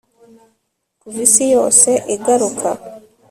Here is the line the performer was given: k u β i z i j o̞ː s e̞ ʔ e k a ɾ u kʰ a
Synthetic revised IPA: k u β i s i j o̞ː s e̞ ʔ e ɡ a ɾ u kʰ a